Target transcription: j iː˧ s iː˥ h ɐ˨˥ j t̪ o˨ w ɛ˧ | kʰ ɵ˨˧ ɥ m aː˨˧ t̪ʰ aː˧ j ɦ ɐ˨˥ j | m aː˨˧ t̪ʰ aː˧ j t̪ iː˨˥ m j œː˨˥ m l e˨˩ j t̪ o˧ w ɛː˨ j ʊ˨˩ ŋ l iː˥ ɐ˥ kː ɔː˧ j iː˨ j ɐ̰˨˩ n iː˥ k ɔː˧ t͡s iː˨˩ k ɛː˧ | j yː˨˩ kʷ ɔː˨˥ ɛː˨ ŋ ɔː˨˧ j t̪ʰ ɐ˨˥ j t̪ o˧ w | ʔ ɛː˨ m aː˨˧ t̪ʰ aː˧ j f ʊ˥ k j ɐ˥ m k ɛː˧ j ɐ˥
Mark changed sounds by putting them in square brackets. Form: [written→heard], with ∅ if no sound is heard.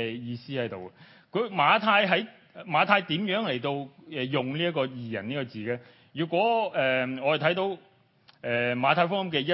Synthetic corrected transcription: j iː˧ s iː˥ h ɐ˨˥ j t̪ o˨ w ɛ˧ | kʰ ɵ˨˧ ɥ m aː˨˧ t̪ʰ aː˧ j ɦ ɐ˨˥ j | m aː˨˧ t̪ʰ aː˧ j t̪ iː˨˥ m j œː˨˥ [m→ŋ] l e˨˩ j t̪ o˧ w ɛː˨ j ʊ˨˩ ŋ l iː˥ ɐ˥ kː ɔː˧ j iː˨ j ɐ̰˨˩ n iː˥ k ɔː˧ t͡s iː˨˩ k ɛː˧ | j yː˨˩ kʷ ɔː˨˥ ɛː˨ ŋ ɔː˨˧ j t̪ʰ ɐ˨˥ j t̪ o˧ w | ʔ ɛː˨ m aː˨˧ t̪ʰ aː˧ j f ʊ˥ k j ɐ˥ m k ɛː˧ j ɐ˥